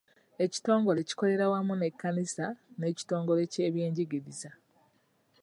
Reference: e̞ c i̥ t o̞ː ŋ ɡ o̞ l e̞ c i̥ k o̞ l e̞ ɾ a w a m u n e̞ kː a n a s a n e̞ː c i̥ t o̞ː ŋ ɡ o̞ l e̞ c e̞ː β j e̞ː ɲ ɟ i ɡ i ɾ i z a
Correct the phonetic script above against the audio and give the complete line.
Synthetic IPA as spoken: e̞ c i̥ t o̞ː ŋ ɡ o̞ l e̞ c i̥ k o̞ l e̞ ɾ a w a m u n e̞ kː a n i s a n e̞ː c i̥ t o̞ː ŋ ɡ o̞ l e̞ c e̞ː β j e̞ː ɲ ɟ i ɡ i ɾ i z a